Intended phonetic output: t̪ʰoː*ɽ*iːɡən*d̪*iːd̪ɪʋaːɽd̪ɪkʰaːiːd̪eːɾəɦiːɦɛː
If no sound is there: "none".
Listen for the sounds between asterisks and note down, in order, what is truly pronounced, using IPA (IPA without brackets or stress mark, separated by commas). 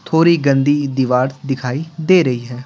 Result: ɾ, d̪